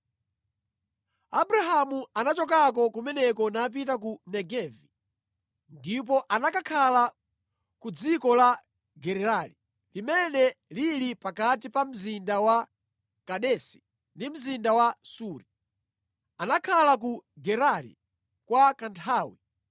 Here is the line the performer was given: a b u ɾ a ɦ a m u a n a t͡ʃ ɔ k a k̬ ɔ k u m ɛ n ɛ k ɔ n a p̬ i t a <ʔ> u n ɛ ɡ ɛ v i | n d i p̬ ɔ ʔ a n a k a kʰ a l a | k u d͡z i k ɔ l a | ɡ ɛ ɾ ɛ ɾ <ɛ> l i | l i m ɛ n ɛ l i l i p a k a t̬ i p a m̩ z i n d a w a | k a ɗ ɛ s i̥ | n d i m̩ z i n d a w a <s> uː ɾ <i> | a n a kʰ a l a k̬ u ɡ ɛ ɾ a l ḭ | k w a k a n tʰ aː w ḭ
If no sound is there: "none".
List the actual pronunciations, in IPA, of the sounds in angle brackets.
k, a, s, i

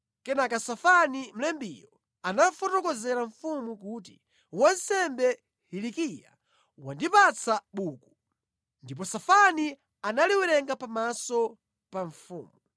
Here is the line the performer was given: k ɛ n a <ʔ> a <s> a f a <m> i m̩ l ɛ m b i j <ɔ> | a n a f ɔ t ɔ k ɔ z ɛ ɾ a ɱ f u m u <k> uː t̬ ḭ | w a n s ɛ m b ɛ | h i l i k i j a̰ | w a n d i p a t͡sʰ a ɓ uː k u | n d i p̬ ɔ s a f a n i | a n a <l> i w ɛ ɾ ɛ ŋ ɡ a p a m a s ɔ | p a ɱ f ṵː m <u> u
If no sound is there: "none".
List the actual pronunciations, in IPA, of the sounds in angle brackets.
k, s, n, ɔ, k, l, u

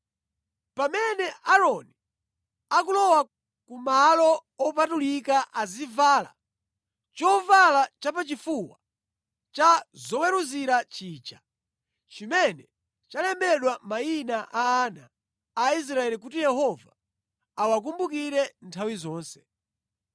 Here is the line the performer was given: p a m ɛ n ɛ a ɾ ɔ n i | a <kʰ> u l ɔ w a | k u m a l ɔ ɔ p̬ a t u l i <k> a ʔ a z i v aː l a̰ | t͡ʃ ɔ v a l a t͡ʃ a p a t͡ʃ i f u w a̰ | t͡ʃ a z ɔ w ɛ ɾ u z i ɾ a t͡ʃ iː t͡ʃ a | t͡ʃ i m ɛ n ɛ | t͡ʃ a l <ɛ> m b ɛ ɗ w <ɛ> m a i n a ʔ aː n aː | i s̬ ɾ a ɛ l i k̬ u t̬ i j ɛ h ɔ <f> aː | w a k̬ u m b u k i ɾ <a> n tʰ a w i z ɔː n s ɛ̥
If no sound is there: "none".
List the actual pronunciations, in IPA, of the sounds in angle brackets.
k, k, ɛ, a, v, ɛ

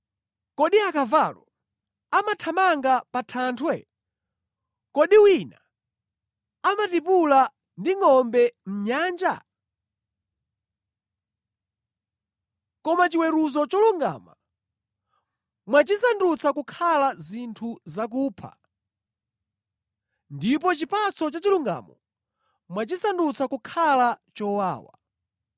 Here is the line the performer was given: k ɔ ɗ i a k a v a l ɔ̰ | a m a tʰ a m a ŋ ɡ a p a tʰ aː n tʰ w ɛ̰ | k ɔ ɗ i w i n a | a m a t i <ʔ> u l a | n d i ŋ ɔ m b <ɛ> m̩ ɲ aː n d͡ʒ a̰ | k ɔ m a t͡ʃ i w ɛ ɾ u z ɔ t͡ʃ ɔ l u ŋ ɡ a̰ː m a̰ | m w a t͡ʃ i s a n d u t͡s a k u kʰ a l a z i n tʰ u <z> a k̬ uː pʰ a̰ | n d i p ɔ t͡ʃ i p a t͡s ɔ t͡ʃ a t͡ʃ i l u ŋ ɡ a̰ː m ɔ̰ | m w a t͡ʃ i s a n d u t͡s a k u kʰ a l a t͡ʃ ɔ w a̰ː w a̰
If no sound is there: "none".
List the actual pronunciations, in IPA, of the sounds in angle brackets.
p, ɛ, z

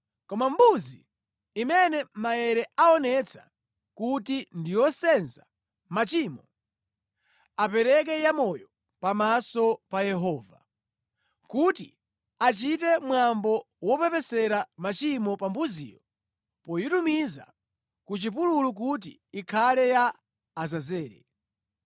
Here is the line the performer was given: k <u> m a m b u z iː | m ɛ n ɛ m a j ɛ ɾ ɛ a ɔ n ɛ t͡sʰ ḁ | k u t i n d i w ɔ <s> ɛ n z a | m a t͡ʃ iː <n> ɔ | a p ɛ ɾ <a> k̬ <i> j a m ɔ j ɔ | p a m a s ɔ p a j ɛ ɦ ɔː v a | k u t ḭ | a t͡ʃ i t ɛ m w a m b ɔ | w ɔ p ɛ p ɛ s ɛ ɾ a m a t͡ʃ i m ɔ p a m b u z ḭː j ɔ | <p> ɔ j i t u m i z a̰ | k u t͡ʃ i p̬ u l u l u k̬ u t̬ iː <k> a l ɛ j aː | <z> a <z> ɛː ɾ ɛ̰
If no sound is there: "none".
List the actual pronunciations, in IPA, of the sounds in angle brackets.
ɔ, s, m, ɛ, ɛ, p, kʰ, z, z

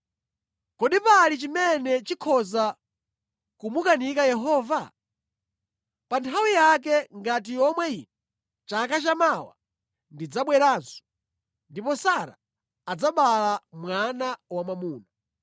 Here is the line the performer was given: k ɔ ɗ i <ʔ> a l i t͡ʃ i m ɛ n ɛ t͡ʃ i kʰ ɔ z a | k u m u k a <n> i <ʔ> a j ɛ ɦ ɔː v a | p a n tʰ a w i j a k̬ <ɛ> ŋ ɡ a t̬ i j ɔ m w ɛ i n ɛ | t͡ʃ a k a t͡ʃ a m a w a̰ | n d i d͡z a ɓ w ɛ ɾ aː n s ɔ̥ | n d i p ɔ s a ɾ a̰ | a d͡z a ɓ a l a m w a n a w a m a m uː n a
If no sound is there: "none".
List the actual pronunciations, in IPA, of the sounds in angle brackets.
p, n, k, ɛ

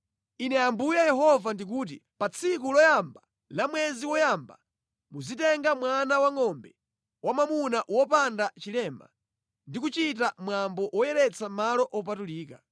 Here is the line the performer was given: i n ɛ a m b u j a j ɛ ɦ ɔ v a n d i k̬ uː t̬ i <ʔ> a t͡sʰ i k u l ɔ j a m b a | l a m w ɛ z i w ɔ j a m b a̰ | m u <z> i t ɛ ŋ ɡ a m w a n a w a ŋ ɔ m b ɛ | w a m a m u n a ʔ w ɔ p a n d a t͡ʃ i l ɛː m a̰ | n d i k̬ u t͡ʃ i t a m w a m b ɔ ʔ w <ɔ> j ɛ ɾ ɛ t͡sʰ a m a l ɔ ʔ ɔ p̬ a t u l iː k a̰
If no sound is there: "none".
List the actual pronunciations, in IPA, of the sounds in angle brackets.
p, z, ɔ

